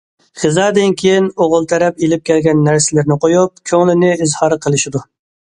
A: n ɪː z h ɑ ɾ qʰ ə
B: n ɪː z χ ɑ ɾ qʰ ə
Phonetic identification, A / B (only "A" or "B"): A